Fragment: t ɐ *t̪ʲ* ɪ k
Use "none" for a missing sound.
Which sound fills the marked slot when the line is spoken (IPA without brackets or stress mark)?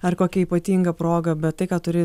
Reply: none